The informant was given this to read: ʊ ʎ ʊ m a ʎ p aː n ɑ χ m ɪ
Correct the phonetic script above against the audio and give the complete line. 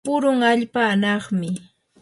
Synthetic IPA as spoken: ʊ ɾ ʊ ŋ a ʎ p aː n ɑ χ m ɪ